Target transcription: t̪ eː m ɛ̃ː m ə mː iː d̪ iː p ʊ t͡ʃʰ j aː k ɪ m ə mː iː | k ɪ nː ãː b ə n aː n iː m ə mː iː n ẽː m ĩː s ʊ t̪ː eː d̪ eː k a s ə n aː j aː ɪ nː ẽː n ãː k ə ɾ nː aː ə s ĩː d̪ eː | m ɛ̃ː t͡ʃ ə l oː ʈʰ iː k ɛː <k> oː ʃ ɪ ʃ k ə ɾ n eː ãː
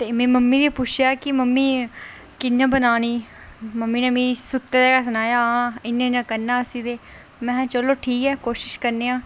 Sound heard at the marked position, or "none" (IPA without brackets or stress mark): k